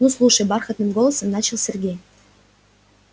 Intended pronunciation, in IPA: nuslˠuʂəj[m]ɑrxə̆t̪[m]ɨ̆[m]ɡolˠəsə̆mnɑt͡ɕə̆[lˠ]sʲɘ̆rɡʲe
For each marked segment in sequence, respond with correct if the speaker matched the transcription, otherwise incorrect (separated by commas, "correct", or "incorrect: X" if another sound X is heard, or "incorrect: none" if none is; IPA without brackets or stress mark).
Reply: incorrect: b, incorrect: n, correct, correct